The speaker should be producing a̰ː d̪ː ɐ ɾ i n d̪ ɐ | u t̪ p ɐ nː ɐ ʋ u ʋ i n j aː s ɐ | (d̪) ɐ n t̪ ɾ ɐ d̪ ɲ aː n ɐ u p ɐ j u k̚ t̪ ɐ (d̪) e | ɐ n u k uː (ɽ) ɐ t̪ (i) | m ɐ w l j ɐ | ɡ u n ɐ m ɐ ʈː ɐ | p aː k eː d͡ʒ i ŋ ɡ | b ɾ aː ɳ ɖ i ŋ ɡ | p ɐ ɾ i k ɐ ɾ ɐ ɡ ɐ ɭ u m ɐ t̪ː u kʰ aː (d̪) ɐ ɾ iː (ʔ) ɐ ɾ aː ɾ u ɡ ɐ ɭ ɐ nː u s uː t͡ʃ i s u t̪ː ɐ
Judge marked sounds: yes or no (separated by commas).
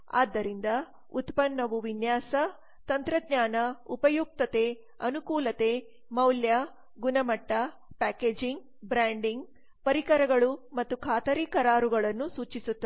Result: no, no, no, no, no, no